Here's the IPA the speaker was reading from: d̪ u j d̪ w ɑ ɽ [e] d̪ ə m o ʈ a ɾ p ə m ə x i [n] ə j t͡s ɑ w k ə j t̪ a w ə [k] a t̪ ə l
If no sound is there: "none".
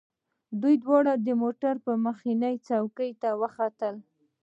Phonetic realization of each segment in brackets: a, n, x

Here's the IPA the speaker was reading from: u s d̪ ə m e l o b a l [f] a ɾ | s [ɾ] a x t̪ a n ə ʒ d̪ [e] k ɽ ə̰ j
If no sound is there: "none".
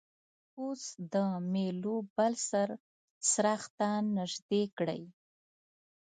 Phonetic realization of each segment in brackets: s, ɾ, e

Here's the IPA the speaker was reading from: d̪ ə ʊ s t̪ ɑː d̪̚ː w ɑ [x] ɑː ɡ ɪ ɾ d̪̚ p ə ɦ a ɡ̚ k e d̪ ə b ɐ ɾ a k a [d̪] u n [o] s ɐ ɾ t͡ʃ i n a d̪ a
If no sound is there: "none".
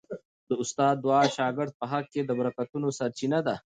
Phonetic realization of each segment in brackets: ʃ, t̪, o

